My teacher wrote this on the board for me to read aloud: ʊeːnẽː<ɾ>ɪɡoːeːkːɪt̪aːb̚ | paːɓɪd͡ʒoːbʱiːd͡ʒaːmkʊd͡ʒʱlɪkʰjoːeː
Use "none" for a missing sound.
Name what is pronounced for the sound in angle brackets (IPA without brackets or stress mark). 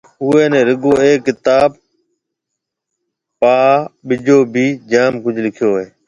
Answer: ɾ